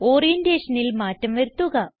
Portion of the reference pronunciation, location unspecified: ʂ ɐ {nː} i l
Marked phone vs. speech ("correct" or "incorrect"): incorrect